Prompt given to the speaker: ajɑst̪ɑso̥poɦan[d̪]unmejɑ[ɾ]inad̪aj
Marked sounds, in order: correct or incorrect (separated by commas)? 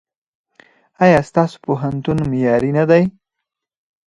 incorrect, correct